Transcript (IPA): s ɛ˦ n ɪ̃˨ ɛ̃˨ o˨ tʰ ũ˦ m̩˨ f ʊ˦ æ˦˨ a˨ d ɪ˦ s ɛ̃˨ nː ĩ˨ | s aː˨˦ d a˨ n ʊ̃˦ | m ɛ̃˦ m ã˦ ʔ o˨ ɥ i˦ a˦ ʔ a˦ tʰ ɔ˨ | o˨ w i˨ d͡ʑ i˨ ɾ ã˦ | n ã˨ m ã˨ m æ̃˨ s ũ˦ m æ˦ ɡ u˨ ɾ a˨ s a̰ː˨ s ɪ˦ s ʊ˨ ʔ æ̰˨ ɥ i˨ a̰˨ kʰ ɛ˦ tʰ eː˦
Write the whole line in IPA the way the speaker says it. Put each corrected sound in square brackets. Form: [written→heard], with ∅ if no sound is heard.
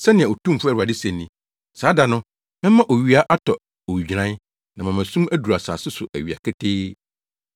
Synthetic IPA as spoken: s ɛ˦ n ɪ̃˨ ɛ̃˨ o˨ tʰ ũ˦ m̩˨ f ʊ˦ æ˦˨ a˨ d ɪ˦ s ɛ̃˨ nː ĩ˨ | s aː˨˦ d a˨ n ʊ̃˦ | m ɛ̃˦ m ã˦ ʔ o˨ ɥ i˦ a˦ ʔ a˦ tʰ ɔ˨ | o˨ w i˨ d͡ʑ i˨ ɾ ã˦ | n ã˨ m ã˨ m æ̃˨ s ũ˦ m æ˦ [ɡ→d] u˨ ɾ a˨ s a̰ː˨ s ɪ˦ s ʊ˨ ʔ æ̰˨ ɥ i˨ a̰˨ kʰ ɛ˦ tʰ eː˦

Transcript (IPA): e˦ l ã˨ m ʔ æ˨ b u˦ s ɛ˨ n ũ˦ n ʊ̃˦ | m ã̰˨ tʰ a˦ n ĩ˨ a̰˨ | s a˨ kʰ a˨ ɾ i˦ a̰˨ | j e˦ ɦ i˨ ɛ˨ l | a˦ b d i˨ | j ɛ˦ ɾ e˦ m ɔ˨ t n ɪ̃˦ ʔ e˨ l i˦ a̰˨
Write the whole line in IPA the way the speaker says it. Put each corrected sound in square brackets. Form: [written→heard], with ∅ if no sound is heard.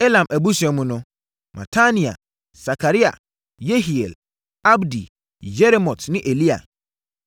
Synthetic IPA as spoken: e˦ l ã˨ m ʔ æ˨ b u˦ s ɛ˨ [n→m] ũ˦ n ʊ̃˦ | m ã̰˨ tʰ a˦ n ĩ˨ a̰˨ | s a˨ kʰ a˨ ɾ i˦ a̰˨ | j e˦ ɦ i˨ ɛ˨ l | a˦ b d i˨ | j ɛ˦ ɾ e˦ m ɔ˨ t n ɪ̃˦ ʔ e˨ l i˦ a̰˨

